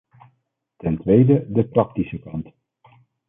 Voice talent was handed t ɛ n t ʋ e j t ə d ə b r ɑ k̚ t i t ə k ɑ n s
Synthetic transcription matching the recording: t ɛ n t ʋ e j d ə d ə p r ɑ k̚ t i s ə k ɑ n t